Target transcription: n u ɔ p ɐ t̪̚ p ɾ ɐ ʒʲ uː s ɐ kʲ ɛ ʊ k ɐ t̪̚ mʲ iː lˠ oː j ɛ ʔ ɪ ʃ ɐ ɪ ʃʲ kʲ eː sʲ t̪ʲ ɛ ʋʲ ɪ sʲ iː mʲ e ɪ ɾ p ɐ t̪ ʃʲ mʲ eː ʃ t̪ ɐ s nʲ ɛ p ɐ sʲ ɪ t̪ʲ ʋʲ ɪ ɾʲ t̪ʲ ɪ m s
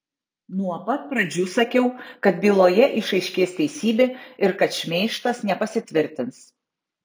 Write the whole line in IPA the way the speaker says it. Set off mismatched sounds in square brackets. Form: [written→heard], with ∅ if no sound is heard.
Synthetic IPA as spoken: n u ɔ p ɐ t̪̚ p ɾ ɐ [ʒʲ→d͡ʒʲ] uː s ɐ kʲ ɛ ʊ k ɐ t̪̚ [mʲ→bʲ] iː lˠ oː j ɛ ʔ ɪ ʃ ɐ ɪ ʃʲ kʲ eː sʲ t̪ʲ ɛ [ʋʲ→∅] ɪ sʲ iː [mʲ→bʲ] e ɪ ɾ [p→k] ɐ t̪ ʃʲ mʲ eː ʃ t̪ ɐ s nʲ ɛ p ɐ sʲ ɪ t̪ʲ ʋʲ ɪ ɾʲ t̪ʲ ɪ [m→n] s